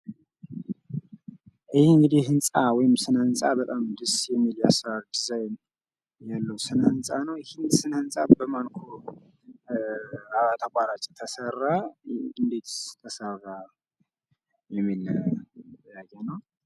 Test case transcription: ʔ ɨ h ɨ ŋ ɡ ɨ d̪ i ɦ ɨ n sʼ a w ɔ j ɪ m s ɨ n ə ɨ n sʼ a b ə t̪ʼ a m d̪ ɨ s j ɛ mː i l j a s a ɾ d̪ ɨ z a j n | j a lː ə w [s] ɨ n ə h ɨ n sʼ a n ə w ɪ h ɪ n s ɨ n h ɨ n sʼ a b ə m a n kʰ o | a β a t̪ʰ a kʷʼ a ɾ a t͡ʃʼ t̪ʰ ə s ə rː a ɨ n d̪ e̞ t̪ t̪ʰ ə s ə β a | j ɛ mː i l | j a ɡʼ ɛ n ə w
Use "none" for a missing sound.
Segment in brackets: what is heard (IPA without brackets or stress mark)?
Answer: s